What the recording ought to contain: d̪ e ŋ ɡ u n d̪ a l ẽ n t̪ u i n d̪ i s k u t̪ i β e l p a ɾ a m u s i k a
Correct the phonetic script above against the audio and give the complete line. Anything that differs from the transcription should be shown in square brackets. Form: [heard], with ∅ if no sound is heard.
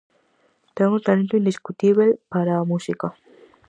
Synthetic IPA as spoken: [t̪] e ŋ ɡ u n [t̪] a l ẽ n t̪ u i n d̪ i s k u t̪ i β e l p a ɾ a m u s i k a